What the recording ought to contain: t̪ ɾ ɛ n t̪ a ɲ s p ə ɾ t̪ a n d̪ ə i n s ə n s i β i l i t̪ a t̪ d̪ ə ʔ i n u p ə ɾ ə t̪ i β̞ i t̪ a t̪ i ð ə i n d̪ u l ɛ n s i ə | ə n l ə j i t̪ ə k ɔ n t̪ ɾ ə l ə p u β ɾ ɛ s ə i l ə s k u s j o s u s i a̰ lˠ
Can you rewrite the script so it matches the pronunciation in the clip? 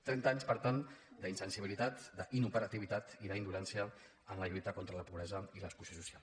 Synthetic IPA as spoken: t̪ ɾ ɛ n t̪ a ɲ s p ə ɾ t̪ a n d̪ ə i n s ə n s i β i l i t̪ a t̪ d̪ ə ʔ i n u p ə ɾ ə t̪ i β̞ i t̪ a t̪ i ð ə i n d̪ u l ɛ n s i ə | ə n l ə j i t̪ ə k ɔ n t̪ ɾ ə l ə p u β ɾ ɛ z ə i l ə s k u s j o s u s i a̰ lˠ

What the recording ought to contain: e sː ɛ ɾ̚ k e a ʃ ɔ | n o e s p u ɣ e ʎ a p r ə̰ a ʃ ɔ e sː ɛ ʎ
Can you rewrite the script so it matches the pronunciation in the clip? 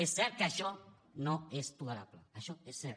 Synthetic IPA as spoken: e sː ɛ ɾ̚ k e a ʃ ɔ | n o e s p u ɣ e ɾ a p l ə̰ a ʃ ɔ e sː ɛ ɾ

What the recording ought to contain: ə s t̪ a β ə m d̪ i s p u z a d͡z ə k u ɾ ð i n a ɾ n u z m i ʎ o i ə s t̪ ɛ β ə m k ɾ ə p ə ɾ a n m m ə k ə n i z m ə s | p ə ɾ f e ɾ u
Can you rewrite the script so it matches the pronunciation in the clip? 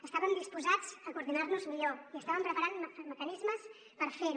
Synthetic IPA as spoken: ə s t̪ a β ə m d̪ i s p u z a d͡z ə k u ɾ ð i n a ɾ n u z m i ʎ o i ə s t̪ a β ə m p ɾ ə p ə ɾ a n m m ə k ə n i z m ə s | p ə ɾ f e ɾ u

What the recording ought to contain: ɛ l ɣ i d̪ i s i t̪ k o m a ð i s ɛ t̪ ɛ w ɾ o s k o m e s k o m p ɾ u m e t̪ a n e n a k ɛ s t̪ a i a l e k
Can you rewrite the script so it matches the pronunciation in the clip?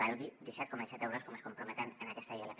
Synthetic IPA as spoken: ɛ l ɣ i d̪ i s ɛ t̪ k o m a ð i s ɛ t̪ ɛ w ɾ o s k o m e s k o m p ɾ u m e t̪ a n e n a k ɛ s t̪ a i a l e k

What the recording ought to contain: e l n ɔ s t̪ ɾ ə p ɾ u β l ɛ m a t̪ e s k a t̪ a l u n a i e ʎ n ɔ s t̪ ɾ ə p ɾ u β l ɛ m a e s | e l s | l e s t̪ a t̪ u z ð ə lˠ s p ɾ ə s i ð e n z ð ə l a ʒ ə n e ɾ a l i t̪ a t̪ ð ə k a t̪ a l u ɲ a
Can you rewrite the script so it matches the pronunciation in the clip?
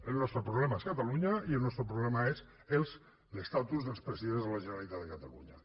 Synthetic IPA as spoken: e l n ɔ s t̪ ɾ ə p ɾ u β l ɛ m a e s k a t̪ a l u ɲ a i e l n ɔ s t̪ ɾ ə p ɾ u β l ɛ m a e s | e l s | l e s t̪ a t̪ u z ð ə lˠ s p ɾ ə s i ð e n z ð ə l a ʒ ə n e ɾ a l i t̪ a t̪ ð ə k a t̪ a l u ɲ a

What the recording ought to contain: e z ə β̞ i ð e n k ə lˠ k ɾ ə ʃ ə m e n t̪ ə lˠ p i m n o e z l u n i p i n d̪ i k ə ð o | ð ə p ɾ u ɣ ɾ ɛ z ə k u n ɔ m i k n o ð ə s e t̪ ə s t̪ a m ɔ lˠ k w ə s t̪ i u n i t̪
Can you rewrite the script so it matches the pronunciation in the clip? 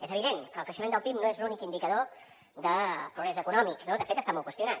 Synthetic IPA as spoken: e z ə β̞ i ð e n k ə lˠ k ɾ ə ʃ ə m e n d̪ ə lˠ p i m n o e z l u n i k i n d̪ i k ə ð o | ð ə p ɾ u ɣ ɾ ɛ z ə k u n ɔ m i k n o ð ə f e t̪ ə s t̪ a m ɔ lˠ k w ə s t̪ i u n a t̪

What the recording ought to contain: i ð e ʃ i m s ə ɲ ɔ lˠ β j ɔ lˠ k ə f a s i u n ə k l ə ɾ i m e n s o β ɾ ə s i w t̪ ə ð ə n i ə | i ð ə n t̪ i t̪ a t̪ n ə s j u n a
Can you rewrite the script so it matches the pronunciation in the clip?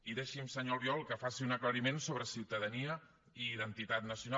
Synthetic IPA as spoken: i ð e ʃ i m s ə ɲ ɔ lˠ β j ɔ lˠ k ə f a s i u n ə k l ə ɾ i m e n s o β ɾ ə s i w t̪ ə ð ə n i ə | i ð ə n t̪ i t̪ a t̪ n ə s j u n a

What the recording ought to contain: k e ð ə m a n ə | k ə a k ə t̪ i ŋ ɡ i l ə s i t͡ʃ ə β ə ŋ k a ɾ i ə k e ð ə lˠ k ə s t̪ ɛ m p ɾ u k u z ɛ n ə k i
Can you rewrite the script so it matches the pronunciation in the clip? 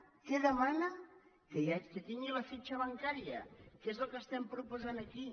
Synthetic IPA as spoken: k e ð ə m a n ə | k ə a k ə t̪ i ŋ ɡ i l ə f i t͡ʃ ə β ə ŋ k a ɾ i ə k e z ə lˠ k ə s t̪ ɛ m p ɾ u p u z a n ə k i

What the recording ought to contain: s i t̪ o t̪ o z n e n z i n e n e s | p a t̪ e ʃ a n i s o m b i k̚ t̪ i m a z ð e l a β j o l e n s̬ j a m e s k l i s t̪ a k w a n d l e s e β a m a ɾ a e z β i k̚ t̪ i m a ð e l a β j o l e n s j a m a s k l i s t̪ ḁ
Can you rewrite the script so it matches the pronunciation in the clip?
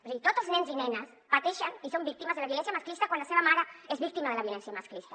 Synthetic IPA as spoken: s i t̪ o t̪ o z n e n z i n e n a s | p a t̪ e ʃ a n i s o m b i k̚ t̪ i m a z ð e l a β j o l e n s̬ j a m a s k l i s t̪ a k w a n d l a s e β a m a ɾ a e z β i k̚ t̪ i m a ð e l a β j o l e n s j a m a s k l i s t̪ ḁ

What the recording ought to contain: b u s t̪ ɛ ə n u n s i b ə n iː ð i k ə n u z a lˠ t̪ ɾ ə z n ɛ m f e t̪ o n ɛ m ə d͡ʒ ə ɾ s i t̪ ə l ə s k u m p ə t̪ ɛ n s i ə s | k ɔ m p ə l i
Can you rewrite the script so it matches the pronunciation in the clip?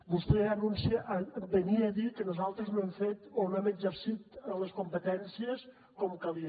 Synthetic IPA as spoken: b u s t̪ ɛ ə n u n s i b ə n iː ð i k ə n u z a lˠ t̪ ɾ ə z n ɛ m f e t̪ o n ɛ m ə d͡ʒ ə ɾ s i t̪ ə l ə s k u m p ə t̪ ɛ n s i ə s | k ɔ m k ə l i

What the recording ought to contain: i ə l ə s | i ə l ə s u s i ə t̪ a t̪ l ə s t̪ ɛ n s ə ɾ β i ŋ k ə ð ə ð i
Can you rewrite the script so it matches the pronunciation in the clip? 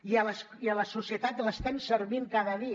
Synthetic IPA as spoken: i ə l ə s | i ə l ə s u s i ə t̪ a t̪ l ə s t̪ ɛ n s ə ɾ β i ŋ k a ð ə ð i

